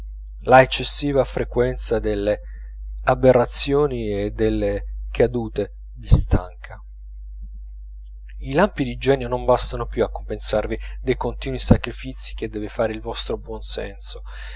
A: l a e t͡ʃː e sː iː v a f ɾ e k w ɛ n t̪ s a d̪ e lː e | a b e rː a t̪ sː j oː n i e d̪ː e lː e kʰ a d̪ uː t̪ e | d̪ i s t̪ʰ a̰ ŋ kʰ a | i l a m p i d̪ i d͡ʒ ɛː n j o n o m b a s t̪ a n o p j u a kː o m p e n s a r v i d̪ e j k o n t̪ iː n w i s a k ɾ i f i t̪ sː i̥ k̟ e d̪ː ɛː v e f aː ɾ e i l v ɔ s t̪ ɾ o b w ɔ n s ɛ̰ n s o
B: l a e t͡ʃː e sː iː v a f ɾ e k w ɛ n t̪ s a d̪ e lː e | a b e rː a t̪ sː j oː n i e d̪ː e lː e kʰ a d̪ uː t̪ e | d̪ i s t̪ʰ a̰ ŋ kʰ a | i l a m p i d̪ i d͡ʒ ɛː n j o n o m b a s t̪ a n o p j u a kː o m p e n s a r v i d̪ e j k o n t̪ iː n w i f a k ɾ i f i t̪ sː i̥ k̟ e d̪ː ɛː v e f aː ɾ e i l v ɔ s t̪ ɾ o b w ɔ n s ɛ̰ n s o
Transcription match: A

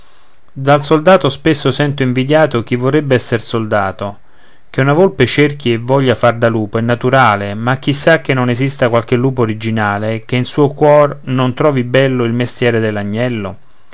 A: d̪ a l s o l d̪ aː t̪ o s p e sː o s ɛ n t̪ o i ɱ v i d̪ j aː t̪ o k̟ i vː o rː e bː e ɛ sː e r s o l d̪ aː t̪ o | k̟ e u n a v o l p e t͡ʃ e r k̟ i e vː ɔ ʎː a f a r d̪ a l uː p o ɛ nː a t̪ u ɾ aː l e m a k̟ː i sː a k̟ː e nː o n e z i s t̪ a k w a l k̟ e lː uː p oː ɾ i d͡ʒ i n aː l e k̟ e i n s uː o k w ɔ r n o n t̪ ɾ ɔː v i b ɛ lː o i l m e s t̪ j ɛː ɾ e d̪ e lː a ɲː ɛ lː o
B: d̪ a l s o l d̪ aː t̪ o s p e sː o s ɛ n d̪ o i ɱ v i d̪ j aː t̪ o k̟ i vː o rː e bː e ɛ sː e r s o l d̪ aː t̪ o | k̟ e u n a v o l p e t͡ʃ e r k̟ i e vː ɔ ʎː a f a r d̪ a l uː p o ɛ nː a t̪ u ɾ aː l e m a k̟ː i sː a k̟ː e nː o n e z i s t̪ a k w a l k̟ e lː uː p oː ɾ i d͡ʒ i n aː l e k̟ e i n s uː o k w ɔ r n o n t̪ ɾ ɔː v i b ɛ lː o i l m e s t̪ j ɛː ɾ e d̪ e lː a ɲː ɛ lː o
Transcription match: A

